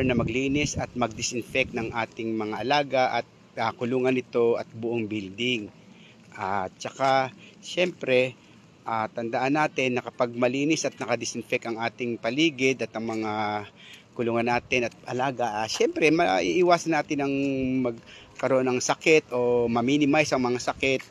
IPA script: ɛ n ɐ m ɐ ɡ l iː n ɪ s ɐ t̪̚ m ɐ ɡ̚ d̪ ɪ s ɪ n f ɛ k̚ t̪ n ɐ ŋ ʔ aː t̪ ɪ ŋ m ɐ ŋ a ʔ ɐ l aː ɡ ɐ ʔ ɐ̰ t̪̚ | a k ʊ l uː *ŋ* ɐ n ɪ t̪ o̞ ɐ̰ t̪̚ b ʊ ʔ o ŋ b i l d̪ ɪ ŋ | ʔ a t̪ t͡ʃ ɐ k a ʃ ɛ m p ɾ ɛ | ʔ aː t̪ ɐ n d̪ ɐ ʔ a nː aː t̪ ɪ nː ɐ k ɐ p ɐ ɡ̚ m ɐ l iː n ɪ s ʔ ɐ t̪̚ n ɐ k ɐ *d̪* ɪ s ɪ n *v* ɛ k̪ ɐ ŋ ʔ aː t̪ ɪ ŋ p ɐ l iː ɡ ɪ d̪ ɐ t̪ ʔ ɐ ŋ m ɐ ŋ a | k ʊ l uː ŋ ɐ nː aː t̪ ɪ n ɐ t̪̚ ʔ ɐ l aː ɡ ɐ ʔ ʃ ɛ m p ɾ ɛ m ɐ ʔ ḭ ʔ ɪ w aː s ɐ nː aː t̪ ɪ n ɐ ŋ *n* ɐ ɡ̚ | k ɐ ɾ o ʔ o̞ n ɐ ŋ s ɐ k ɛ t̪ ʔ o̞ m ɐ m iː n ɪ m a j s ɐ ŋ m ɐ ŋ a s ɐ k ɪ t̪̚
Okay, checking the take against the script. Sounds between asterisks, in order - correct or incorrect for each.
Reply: correct, correct, incorrect: f, incorrect: m

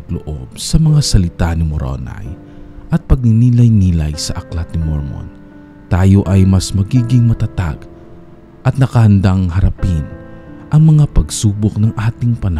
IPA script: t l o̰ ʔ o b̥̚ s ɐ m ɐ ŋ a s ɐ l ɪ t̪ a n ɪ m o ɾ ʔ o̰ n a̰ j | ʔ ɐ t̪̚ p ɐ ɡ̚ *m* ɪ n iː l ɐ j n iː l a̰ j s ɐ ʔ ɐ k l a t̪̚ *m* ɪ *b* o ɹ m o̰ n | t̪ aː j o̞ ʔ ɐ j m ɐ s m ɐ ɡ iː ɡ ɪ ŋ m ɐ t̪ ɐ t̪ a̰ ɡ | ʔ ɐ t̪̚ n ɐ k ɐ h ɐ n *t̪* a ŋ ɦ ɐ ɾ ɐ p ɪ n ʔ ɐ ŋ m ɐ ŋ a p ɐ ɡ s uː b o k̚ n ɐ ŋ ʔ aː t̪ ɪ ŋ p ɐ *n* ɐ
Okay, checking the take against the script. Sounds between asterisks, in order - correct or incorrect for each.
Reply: incorrect: n, incorrect: n, incorrect: m, incorrect: d̪, correct

